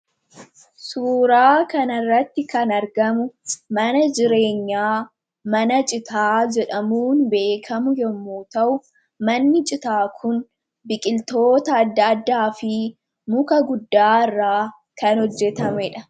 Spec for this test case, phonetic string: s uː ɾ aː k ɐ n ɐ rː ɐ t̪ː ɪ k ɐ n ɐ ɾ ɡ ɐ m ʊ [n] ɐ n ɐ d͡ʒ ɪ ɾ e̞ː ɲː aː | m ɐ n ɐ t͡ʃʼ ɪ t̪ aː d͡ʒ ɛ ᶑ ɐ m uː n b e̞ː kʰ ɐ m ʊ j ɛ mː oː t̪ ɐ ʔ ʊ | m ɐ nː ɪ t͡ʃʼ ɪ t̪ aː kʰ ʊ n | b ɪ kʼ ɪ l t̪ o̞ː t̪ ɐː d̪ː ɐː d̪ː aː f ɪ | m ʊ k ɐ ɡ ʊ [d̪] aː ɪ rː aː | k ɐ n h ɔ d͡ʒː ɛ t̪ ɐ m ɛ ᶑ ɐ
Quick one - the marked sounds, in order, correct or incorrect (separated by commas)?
incorrect, incorrect